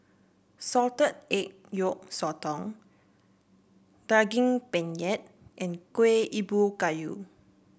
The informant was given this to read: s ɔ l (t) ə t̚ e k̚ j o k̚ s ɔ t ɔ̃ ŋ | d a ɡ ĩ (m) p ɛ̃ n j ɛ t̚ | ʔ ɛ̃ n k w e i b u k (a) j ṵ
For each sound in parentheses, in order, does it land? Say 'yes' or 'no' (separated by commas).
yes, no, yes